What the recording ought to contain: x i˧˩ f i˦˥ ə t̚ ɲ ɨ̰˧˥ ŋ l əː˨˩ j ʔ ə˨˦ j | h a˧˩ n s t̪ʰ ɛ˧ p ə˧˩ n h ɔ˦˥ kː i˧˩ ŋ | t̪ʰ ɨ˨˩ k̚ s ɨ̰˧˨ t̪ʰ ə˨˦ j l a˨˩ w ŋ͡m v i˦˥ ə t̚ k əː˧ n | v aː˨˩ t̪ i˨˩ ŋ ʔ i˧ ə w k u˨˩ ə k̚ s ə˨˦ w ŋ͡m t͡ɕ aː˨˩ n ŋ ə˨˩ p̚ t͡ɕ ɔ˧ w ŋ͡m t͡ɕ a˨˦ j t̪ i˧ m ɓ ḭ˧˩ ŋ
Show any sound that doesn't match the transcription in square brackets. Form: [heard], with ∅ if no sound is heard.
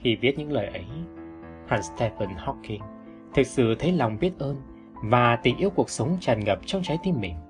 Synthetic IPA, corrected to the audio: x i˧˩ [v] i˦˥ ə t̚ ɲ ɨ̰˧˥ ŋ l əː˨˩ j ʔ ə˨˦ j | h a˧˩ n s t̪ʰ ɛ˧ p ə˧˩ n h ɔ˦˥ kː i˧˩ ŋ | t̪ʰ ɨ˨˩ k̚ s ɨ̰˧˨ t̪ʰ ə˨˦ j l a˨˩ w ŋ͡m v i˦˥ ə t̚ [ʔ] əː˧ n | v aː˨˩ t̪ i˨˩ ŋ ʔ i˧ ə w k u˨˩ ə k̚ s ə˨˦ w ŋ͡m t͡ɕ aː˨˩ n ŋ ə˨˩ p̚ t͡ɕ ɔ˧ w ŋ͡m t͡ɕ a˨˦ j t̪ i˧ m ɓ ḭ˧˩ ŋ